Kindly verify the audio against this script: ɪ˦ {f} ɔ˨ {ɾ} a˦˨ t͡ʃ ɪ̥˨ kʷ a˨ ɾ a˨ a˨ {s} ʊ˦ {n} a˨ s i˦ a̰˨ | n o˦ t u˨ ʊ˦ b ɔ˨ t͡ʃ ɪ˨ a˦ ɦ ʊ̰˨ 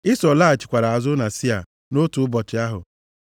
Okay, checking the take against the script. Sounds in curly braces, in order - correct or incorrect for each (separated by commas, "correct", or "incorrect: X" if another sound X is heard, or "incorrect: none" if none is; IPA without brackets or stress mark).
incorrect: s, incorrect: l, incorrect: z, correct